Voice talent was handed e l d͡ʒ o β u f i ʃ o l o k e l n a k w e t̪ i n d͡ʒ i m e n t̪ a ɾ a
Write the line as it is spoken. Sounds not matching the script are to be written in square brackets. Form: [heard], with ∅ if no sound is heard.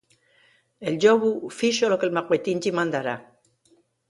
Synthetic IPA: e l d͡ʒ o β u f i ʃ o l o k e l [m] a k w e t̪ i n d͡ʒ i m [a] n [d̪] a ɾ a